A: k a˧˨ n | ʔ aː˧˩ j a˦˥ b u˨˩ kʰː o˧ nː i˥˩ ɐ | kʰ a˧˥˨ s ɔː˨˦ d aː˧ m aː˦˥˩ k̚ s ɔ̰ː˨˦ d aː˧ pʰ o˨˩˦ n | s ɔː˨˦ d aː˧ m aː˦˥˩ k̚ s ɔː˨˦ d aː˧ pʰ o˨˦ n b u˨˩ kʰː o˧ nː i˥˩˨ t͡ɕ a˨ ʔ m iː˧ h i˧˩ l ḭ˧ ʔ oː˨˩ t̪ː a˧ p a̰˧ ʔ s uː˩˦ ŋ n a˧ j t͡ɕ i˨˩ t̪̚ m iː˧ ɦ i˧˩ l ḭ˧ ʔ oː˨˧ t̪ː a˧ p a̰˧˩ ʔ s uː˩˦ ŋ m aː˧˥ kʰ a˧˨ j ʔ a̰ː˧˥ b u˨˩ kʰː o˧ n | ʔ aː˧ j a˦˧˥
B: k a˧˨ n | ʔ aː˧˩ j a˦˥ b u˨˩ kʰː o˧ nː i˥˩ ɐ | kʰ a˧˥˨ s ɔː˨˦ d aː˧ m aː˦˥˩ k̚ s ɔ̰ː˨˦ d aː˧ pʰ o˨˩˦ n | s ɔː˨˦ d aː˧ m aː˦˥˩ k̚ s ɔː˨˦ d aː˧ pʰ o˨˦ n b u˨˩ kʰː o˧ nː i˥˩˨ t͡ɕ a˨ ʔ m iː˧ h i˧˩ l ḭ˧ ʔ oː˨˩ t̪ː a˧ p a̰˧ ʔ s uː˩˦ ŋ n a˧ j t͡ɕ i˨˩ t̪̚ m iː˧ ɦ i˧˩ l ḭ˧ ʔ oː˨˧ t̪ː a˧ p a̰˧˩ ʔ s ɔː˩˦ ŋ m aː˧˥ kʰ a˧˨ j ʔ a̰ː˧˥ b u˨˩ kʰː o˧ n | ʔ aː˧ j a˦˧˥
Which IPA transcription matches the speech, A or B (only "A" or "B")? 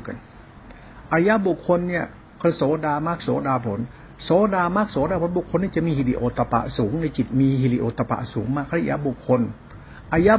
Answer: A